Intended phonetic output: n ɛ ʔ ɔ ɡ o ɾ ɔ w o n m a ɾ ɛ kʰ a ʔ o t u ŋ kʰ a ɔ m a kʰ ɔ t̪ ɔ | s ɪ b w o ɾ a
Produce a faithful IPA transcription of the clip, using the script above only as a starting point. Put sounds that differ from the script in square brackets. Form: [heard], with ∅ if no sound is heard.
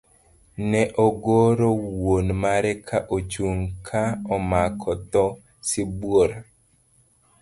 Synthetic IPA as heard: n ɛ ʔ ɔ ɡ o ɾ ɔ w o n m a ɾ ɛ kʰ a ʔ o [t͡ʃ] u ŋ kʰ a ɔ m a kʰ ɔ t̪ ɔ | s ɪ b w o ɾ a

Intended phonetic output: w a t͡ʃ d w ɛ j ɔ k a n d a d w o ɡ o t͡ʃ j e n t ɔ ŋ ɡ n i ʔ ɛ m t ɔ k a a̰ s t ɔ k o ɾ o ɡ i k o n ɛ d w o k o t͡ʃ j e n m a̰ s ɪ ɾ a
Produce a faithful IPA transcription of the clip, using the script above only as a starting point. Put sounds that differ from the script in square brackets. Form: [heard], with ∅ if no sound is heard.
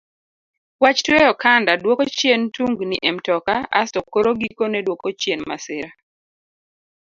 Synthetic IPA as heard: w a t͡ʃ [t] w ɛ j ɔ k a n d a d w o [k] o t͡ʃ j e n t [u] ŋ ɡ n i ʔ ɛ m t ɔ k a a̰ s t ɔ k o ɾ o ɡ i k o n ɛ d w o k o t͡ʃ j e n m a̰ s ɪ ɾ a

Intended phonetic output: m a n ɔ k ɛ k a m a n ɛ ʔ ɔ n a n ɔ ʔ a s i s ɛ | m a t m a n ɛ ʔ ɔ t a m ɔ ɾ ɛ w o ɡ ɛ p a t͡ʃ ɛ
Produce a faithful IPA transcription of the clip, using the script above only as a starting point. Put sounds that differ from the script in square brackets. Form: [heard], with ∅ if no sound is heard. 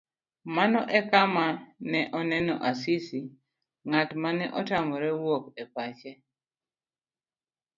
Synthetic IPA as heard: m a n ɔ [ʔ] ɛ k a m a n ɛ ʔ ɔ n [ɛ] n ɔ ʔ a s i s [i] | [ŋ] a t m a n ɛ ʔ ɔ t a m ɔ ɾ ɛ w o [k] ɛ p a t͡ʃ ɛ

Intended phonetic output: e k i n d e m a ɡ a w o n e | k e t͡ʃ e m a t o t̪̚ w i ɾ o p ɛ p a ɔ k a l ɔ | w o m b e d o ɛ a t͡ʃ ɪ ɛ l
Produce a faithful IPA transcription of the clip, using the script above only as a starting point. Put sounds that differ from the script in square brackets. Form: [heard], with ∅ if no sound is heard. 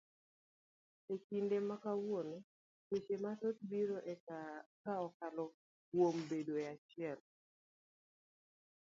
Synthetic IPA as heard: e k i n d e m a [k] a w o n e | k e t͡ʃ e m a t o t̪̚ [b] i ɾ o [ʔ] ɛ [k] a ɔ k a l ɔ | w o m b e d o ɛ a t͡ʃ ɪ ɛ l

